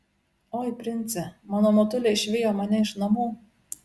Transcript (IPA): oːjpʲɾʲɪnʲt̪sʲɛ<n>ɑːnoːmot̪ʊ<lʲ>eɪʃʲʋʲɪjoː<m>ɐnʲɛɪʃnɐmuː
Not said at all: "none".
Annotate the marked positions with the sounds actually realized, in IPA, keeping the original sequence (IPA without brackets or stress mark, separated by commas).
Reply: m, lʲ, m